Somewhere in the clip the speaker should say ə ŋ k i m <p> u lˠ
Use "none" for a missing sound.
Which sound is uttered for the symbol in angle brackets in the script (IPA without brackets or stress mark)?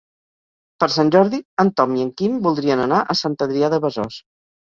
b